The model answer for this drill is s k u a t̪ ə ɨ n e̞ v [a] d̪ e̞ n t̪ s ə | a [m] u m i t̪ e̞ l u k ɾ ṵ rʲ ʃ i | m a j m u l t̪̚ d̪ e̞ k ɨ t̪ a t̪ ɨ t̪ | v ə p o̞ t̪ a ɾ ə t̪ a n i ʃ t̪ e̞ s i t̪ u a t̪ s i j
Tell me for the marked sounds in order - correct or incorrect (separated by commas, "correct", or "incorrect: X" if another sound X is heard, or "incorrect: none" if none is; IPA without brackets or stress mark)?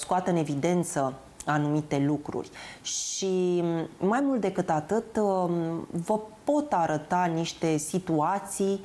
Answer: incorrect: i, incorrect: n